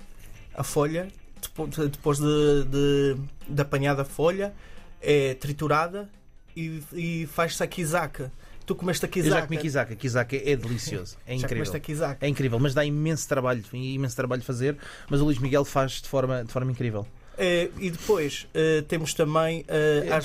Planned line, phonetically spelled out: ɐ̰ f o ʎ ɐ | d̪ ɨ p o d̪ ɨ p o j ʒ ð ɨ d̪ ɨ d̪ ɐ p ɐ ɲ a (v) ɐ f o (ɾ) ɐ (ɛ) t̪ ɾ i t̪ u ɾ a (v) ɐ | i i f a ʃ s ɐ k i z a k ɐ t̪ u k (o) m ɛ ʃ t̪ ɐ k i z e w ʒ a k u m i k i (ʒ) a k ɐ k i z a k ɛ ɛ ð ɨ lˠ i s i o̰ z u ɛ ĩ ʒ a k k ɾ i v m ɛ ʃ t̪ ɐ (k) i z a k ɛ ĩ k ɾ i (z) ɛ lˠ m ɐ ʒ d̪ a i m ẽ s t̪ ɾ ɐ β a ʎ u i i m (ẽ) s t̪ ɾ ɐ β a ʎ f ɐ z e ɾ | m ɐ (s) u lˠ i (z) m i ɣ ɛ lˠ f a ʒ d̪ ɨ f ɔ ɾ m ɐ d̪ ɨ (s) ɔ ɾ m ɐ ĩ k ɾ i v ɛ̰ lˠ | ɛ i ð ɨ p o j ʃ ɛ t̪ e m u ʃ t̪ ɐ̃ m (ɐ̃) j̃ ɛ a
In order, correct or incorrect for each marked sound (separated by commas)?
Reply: incorrect, incorrect, correct, incorrect, incorrect, incorrect, correct, incorrect, correct, incorrect, incorrect, incorrect, correct